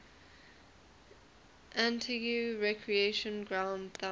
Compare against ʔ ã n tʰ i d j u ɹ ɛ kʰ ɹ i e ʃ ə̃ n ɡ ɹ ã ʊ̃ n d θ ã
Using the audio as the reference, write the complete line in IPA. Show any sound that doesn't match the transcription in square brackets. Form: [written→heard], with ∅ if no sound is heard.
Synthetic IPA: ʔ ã n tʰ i [d→ɡ] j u ɹ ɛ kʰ ɹ i e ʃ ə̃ n ɡ ɹ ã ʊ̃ n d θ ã